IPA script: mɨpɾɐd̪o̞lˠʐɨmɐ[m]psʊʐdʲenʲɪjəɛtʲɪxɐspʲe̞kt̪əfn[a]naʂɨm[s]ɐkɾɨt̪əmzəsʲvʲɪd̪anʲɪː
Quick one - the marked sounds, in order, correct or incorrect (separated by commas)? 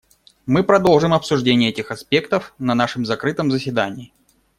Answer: incorrect, incorrect, incorrect